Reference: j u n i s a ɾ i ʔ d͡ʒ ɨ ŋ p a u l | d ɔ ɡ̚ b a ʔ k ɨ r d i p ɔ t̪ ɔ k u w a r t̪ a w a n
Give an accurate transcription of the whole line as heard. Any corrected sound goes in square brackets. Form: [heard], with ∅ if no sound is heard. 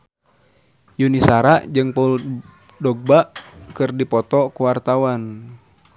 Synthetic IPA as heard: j u n i s a ɾ [a] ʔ d͡ʒ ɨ ŋ p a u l | d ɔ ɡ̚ b a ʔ k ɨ r d i p ɔ t̪ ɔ k u w a r t̪ a w a n